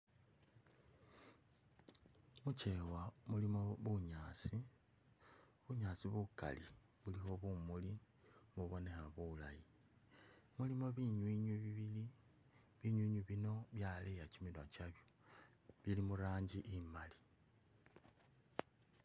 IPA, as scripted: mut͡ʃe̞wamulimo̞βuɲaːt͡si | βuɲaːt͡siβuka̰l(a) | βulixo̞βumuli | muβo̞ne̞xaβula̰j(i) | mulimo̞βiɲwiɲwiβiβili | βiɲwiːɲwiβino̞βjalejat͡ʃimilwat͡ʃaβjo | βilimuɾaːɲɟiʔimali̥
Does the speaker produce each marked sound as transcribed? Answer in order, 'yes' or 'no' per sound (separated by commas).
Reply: no, yes